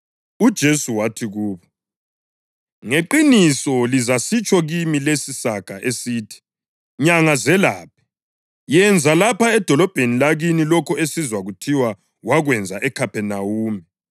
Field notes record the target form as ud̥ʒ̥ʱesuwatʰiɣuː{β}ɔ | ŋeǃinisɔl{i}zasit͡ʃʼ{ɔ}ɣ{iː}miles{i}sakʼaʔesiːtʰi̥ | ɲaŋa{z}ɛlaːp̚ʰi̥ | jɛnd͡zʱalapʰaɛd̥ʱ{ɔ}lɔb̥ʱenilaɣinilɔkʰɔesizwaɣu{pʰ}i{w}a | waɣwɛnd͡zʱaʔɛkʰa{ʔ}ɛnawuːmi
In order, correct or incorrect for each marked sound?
correct, correct, correct, incorrect: i, correct, correct, correct, incorrect: tʰ, correct, incorrect: p

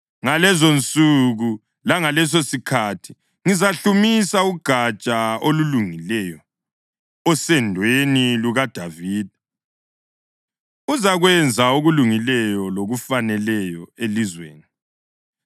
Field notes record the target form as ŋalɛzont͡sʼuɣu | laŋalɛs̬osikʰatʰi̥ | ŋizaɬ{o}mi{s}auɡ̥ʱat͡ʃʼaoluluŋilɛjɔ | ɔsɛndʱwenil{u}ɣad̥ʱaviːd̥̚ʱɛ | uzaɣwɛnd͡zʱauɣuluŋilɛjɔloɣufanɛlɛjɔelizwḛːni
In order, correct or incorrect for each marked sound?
incorrect: u, correct, correct

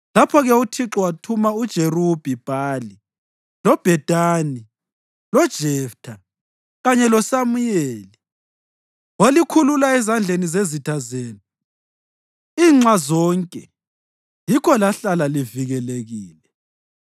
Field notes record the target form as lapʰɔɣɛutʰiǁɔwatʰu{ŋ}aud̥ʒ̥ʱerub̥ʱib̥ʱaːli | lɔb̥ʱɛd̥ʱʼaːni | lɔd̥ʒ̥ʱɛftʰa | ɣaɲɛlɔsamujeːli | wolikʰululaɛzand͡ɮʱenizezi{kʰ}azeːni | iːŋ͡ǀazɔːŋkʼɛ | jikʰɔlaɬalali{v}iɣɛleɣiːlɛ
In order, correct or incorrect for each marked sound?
incorrect: m, incorrect: tʰ, correct

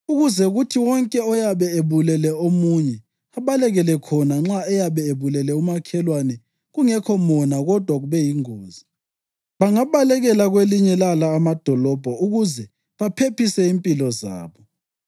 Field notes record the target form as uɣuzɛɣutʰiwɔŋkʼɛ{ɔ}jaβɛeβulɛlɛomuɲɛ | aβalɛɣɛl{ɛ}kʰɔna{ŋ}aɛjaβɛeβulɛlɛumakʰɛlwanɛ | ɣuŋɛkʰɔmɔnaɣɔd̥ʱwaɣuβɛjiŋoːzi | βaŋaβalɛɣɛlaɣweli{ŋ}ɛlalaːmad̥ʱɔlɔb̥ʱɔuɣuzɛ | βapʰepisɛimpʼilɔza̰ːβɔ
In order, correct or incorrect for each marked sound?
correct, correct, incorrect: ŋ͡ǁ, incorrect: ɲ

